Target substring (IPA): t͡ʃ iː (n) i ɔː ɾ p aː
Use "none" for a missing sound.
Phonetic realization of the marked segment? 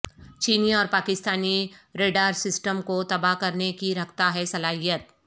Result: n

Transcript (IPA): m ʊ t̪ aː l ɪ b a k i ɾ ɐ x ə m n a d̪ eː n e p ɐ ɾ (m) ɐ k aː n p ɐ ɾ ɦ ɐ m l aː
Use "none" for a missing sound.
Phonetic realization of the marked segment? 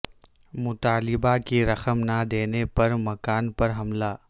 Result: m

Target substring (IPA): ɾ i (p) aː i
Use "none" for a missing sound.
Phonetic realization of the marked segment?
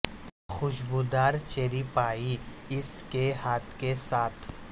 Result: p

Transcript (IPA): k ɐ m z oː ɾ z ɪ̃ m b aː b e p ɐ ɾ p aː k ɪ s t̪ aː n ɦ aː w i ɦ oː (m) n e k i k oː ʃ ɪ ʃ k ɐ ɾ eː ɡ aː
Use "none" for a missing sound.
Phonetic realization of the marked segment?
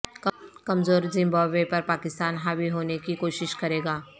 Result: none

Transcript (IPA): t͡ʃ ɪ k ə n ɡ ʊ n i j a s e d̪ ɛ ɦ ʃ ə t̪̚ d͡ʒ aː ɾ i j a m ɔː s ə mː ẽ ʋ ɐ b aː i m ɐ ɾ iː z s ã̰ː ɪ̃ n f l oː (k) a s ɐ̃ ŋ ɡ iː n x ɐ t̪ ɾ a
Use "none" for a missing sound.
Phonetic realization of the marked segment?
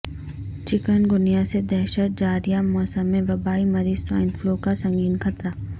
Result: k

